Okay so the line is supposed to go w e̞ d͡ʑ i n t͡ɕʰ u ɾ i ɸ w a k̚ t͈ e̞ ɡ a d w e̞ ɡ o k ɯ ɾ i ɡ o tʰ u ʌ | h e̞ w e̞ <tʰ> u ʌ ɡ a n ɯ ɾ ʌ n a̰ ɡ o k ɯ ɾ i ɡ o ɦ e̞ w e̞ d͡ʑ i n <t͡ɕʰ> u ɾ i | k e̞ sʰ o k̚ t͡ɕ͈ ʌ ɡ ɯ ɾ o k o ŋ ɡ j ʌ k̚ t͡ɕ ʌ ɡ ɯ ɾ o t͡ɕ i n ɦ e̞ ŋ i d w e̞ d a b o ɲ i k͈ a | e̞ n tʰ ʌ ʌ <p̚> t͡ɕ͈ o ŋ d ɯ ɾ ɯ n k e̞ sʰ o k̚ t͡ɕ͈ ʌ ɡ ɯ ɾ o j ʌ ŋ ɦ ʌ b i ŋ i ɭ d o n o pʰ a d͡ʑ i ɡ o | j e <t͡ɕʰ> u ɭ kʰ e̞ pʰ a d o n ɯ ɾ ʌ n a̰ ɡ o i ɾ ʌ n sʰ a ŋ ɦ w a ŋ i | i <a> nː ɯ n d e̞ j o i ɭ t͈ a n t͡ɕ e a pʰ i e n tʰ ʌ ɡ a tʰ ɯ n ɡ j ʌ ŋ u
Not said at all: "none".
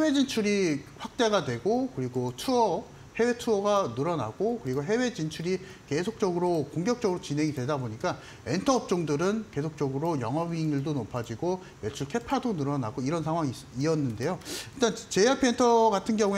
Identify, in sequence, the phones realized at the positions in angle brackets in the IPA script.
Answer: tʰ, t͡ɕʰ, p̚, t͡ɕʰ, ʌ

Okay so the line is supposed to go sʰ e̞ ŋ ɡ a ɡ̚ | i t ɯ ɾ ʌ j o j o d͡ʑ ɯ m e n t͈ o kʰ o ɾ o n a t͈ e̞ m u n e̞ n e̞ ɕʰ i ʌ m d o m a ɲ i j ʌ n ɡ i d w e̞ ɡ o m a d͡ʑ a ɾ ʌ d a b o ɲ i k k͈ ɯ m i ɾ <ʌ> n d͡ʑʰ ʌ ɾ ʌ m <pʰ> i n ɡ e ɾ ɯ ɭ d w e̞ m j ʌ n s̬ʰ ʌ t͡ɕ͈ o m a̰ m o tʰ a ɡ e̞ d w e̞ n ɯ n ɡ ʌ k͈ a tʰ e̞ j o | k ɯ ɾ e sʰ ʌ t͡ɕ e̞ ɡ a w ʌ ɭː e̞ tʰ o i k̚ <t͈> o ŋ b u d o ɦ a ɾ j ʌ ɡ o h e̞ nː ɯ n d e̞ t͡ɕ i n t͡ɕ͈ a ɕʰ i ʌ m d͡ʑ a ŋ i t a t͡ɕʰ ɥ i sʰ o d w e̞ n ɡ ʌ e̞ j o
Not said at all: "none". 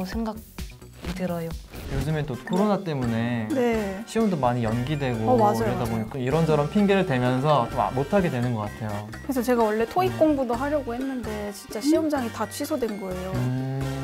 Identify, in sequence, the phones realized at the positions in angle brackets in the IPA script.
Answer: ʌ, pʰ, k͈

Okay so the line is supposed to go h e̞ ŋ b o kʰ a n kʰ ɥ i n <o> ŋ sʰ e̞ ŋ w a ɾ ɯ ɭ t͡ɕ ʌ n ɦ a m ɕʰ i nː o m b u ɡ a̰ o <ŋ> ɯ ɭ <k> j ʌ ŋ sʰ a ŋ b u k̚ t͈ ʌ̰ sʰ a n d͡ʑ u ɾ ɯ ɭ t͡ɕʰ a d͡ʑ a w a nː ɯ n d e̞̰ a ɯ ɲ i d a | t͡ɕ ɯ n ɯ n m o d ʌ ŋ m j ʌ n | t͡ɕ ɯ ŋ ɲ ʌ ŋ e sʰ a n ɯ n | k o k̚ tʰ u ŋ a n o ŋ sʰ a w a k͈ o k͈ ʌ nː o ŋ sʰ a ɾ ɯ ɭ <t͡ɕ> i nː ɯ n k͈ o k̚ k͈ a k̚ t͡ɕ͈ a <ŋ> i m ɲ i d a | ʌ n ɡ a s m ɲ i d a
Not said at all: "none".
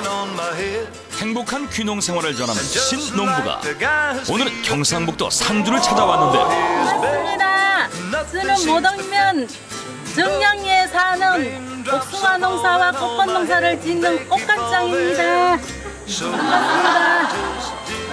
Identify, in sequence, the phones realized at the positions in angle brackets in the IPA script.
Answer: o, n, k, t͡ɕ, ŋ

